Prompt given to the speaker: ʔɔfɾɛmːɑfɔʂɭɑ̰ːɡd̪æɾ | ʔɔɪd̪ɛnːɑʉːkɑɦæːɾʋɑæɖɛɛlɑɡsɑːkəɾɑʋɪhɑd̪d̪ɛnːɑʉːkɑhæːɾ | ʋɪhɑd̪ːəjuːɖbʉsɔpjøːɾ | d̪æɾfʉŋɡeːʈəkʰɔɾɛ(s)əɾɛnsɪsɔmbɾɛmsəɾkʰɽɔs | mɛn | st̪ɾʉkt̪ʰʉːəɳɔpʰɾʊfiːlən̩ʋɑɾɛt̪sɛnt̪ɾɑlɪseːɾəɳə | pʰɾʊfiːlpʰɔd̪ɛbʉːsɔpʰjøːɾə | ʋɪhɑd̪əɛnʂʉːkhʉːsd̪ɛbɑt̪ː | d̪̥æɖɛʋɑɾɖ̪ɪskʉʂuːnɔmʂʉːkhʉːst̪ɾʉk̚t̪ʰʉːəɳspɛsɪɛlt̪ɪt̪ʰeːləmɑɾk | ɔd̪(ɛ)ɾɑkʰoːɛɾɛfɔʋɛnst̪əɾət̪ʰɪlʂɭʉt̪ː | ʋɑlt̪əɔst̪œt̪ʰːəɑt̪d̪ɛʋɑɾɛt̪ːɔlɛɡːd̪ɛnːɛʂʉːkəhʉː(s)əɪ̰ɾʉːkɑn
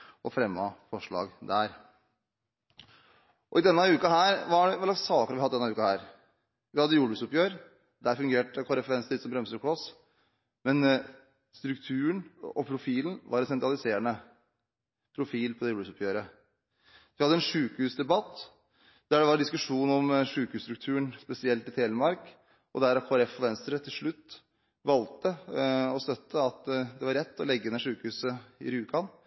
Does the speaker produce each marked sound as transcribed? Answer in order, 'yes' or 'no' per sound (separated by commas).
no, no, yes